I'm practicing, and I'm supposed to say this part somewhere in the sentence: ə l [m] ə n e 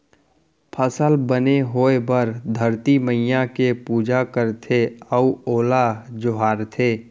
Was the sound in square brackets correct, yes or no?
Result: no